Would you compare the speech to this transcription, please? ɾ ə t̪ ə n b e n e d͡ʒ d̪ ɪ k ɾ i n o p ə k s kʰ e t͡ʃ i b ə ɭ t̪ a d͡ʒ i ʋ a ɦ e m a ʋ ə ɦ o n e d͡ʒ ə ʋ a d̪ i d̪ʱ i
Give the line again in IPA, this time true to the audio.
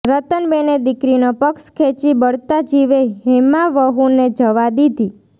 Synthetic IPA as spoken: ɾ ə t̪ ə n b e n e d̪ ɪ k ɾ i n o p ə k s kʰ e t͡ʃ i b ə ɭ t̪ a d͡ʒ i ʋ e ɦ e m a ʋ ə ɦ u n e d͡ʒ ə ʋ a d̪ i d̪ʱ i